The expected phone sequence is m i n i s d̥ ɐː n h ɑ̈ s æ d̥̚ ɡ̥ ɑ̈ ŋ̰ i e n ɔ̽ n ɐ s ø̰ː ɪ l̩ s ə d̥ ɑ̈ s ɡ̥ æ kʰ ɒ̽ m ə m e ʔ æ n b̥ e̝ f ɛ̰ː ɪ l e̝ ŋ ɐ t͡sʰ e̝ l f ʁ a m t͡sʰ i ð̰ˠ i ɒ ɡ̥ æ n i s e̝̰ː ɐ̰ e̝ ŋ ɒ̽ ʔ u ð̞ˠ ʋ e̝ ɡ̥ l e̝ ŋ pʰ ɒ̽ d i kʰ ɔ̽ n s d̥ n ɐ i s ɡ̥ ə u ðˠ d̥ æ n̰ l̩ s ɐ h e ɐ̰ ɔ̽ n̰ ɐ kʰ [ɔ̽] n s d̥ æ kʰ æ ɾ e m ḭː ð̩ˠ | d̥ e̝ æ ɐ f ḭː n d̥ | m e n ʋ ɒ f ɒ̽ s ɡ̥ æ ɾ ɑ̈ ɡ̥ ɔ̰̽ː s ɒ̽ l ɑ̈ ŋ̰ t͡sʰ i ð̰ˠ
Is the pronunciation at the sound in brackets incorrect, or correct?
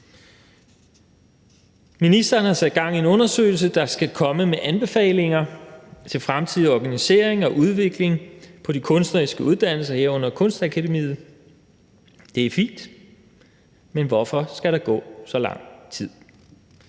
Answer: correct